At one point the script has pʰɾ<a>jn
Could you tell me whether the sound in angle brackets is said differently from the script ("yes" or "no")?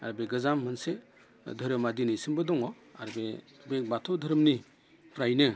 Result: no